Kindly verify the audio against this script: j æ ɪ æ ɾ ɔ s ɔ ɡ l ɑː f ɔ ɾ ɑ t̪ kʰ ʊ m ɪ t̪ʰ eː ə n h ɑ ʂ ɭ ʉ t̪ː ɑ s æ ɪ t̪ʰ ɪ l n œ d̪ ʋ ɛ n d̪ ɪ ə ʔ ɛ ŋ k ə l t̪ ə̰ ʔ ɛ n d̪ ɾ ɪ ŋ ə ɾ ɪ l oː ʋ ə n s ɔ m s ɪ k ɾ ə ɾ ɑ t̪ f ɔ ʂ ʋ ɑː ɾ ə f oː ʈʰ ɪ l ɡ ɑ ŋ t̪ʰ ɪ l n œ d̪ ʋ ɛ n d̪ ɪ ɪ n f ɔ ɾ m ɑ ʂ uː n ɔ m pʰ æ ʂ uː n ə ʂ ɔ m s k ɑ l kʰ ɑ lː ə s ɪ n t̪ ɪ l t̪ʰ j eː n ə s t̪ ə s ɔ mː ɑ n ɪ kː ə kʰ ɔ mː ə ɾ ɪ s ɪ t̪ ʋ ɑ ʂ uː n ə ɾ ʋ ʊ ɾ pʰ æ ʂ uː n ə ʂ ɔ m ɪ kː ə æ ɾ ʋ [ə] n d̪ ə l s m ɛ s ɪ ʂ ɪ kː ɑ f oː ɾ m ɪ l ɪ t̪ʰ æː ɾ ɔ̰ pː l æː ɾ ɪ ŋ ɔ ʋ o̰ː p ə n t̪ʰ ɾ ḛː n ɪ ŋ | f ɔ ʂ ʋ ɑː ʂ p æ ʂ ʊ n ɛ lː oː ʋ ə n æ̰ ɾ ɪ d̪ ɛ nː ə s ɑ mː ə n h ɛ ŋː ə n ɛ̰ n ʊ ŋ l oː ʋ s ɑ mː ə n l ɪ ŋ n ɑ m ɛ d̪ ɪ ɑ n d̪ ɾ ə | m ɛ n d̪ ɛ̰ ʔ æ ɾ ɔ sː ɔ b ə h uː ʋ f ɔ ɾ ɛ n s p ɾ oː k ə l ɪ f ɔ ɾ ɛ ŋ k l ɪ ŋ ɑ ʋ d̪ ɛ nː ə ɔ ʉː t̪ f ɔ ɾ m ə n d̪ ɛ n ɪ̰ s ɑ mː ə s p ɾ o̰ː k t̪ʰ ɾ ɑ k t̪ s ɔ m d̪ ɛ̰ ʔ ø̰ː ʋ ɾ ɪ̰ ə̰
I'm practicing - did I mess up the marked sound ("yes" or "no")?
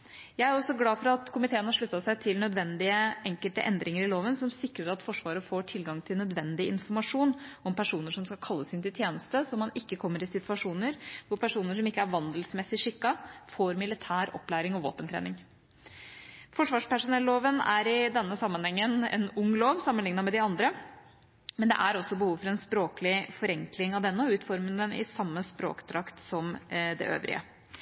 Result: yes